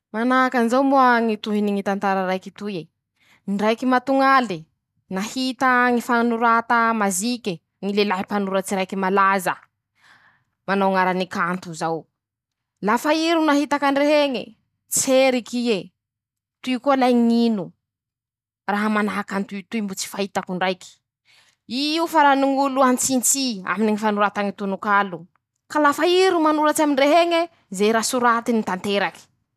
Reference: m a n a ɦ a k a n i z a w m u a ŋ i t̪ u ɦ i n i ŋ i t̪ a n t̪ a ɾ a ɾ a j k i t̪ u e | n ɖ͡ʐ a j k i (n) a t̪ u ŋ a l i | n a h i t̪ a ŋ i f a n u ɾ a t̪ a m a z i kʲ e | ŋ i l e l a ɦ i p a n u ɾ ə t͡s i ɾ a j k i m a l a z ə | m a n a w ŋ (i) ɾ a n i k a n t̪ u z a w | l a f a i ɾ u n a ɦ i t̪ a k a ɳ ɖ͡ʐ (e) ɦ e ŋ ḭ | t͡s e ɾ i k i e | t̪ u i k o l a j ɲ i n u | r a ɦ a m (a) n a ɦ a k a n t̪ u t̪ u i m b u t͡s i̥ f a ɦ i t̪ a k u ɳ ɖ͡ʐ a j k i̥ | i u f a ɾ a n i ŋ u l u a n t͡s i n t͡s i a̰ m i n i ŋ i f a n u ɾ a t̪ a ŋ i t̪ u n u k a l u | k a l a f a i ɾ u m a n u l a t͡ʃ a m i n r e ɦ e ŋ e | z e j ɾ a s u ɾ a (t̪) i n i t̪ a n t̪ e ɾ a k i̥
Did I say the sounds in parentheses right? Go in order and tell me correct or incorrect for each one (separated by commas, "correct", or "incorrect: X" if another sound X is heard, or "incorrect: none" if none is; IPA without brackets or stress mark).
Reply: incorrect: m, incorrect: a, correct, correct, correct